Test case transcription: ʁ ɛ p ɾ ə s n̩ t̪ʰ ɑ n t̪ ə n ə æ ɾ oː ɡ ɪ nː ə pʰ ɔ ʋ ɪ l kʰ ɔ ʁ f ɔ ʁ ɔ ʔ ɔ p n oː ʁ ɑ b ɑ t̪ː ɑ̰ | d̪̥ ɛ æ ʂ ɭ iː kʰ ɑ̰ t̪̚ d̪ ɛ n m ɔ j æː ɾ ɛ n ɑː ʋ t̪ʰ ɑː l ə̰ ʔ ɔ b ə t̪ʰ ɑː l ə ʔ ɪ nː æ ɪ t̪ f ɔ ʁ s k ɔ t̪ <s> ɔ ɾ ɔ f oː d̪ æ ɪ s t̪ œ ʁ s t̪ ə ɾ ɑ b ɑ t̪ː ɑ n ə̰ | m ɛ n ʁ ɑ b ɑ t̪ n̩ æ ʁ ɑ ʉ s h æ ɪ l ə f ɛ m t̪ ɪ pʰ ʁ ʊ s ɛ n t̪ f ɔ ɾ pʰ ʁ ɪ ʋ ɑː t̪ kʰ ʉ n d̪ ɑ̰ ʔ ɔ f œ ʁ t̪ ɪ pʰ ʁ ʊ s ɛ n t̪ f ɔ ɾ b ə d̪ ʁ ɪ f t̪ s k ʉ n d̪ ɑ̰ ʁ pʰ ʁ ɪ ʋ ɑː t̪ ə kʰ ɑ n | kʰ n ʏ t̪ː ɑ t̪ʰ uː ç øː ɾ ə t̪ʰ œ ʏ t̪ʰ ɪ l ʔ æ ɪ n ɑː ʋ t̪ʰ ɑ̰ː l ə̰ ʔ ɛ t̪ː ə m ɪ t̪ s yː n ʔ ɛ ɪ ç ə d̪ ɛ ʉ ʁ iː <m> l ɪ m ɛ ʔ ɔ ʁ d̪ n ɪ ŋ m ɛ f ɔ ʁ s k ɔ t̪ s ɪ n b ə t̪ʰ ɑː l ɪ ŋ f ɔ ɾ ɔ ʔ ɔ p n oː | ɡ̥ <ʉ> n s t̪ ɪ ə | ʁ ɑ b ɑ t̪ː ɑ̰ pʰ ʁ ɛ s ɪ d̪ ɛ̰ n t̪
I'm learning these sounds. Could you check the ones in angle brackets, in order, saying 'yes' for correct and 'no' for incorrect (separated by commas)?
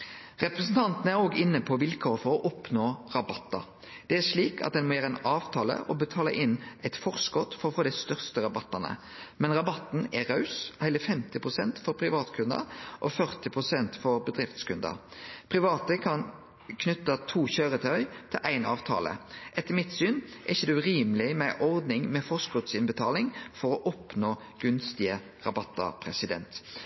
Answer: no, yes, yes